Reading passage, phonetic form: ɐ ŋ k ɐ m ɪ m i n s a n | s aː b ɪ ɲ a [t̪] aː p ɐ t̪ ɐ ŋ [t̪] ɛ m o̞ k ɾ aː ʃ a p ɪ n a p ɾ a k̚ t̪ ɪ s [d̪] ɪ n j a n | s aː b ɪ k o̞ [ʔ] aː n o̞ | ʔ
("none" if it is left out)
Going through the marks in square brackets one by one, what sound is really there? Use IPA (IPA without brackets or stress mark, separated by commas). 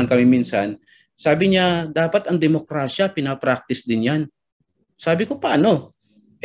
d̪, d̪, d̪, p